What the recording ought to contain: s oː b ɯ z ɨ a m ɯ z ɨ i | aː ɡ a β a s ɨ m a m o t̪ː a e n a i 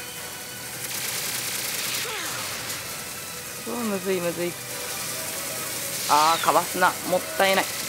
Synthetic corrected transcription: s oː m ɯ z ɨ i m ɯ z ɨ i | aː k a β a s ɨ n a m o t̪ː a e n a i